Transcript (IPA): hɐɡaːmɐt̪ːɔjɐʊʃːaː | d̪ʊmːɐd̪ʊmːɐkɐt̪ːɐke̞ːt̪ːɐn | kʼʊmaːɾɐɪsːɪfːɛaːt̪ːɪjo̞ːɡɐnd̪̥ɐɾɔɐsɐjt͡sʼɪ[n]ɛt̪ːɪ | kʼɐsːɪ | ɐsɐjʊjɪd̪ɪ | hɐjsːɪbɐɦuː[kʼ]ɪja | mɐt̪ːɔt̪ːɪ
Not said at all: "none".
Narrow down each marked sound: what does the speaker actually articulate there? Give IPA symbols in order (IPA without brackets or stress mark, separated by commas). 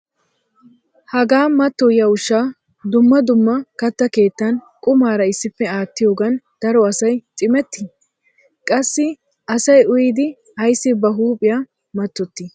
m, pʼ